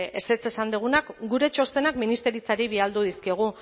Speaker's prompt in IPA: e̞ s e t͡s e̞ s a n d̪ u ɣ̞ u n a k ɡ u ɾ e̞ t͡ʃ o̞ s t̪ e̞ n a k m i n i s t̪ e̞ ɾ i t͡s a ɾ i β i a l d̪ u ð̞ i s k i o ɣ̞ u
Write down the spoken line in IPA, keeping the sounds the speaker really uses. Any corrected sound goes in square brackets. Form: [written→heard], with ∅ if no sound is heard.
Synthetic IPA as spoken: e̞ s e t͡s e̞ s a n d̪ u ɣ̞ u n a k ɡ u ɾ e̞ t͡ʃ o̞ s t̪ e̞ n a k m i n i s t̪ e̞ ɾ i t͡s a ɾ i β i a l d̪ u ð̞ i s k i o ɣ̞ u